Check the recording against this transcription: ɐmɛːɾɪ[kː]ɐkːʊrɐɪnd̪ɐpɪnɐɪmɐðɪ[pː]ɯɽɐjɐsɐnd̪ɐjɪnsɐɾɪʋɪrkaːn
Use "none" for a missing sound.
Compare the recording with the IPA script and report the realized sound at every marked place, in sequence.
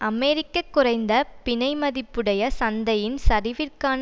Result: kː, pː

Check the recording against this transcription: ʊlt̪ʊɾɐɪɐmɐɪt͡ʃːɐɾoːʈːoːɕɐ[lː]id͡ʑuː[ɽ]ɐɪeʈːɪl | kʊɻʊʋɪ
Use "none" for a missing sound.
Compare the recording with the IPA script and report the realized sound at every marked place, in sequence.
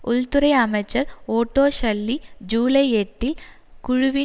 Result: lː, l

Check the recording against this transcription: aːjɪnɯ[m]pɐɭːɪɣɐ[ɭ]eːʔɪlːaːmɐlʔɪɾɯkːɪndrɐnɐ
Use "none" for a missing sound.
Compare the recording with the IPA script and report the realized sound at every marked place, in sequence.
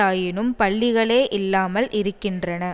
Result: m, ɭ

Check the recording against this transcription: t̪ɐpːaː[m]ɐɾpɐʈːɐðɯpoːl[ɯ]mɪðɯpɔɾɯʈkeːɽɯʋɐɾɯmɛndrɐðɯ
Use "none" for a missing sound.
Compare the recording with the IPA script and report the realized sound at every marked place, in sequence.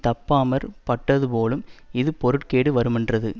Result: m, ɯ

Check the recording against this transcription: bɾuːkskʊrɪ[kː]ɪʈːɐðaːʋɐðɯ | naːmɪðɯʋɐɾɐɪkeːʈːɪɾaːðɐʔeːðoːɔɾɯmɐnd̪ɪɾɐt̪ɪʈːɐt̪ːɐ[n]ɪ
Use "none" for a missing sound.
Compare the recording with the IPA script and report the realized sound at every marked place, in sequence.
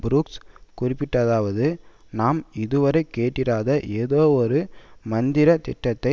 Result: pː, none

